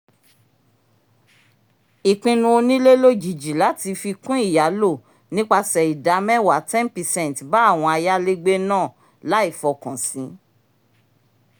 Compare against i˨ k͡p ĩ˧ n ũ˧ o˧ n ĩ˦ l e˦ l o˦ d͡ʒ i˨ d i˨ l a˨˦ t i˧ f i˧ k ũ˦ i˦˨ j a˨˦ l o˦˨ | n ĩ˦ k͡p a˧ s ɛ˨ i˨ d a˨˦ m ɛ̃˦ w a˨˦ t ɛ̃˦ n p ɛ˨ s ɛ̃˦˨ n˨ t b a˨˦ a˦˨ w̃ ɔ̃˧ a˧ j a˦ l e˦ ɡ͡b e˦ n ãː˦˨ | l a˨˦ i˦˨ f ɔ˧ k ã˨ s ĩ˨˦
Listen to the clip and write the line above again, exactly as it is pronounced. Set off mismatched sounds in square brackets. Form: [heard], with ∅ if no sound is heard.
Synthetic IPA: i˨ k͡p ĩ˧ n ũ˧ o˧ n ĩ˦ l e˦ l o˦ d͡ʒ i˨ [d͡ʒ] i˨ l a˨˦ t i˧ f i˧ k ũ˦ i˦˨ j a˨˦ l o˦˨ | n ĩ˦ k͡p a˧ s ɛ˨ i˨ d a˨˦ m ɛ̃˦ w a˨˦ t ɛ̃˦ n p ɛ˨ s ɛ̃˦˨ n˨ t b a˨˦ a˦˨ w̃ ɔ̃˧ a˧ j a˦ l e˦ ɡ͡b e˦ n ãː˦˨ | l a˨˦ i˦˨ f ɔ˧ k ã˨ s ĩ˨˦